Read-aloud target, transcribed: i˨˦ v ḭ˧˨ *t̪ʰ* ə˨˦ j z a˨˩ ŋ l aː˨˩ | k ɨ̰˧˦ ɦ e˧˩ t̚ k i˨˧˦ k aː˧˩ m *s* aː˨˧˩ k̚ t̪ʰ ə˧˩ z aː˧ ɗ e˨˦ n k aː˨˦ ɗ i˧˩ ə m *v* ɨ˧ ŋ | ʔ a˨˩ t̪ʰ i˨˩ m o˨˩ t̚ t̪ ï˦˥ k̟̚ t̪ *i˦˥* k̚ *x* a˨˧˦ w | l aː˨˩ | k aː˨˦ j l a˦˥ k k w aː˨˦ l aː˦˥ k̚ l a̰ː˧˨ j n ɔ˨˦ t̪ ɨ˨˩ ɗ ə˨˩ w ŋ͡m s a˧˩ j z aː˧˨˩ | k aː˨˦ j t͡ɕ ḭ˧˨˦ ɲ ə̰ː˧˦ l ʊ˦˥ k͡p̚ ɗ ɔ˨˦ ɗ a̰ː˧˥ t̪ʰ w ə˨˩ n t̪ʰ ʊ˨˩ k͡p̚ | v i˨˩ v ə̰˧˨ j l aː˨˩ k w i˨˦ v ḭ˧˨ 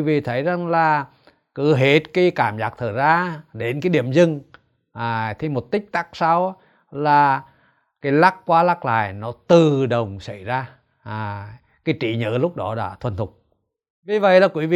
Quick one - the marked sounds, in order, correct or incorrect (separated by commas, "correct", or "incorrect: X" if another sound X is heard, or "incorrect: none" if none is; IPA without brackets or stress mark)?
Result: correct, incorrect: z, incorrect: z, incorrect: a˦˥, incorrect: s